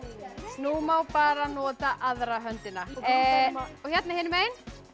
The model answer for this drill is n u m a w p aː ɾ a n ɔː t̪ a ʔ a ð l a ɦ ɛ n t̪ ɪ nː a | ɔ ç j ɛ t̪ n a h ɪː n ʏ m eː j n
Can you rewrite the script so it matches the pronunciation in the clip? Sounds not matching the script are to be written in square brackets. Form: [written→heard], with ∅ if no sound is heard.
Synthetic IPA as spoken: n u m a w p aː ɾ a n ɔː t̪ a ʔ a ð [l→ɾ] a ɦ [ɛ→œ] n t̪ ɪ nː a | ɔ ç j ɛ t̪ n a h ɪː n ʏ m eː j n